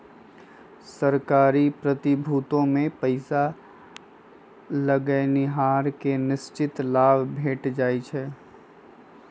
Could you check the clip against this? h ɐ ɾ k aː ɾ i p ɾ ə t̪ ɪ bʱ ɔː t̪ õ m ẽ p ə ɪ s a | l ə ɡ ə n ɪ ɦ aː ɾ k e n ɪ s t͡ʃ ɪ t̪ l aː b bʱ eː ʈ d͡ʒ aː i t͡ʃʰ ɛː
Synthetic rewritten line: s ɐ ɾ k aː ɾ i p ɾ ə t̪ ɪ bʱ uː t̪ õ m ẽ p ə ɪ s a | l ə ɡ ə n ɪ ɦ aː ɾ k e n ɪ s t͡ʃ ɪ t̪ l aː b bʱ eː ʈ d͡ʒ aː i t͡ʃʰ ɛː